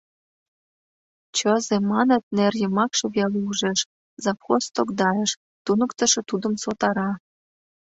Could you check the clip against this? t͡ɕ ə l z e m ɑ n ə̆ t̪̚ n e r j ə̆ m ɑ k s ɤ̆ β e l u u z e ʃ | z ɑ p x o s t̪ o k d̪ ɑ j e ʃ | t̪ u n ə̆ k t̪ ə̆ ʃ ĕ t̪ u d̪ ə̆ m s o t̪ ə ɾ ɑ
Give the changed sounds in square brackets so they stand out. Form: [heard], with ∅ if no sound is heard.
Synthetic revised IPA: t͡ɕ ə [∅] z e m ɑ n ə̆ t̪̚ n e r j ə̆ m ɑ k [ʃ] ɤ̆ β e l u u [ʒ] e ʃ | z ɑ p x o s t̪ o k d̪ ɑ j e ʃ | t̪ u n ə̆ k t̪ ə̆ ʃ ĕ t̪ u d̪ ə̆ m s o t̪ [ɑ] ɾ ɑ